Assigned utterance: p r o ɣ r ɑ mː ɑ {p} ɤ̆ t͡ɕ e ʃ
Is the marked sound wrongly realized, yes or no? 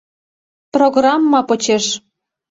no